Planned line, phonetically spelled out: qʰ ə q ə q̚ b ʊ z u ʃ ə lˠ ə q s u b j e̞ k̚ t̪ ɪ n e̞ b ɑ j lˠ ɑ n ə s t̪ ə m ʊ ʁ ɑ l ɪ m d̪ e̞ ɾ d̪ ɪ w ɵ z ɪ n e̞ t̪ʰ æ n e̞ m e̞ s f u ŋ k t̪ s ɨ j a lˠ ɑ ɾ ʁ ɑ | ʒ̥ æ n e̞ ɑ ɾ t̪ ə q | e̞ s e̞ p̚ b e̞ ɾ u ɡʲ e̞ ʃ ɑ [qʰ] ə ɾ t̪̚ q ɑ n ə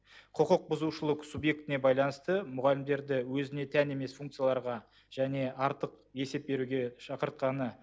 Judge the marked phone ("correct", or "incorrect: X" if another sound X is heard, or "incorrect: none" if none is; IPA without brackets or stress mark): incorrect: q